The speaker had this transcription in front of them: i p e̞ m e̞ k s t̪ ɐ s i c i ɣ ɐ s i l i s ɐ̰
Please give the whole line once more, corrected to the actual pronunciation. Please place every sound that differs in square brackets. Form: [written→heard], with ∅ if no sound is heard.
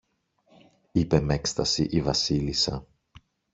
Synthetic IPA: i p e̞ m e̞ k s t̪ ɐ s i [c→ʔ] i [ɣ→v] ɐ s i l i s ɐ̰